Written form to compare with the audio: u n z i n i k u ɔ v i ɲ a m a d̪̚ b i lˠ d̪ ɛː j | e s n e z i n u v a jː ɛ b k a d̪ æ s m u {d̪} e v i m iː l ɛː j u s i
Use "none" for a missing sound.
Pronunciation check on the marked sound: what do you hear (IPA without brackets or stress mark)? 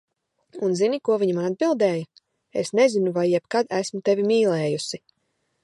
t̪